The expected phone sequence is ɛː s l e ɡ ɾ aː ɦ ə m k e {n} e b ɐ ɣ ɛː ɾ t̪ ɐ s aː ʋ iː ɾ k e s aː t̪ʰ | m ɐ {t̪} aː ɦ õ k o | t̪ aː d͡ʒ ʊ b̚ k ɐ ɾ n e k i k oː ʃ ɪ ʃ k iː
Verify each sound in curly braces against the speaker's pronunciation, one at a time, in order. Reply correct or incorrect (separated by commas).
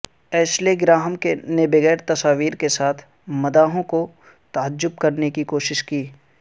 correct, incorrect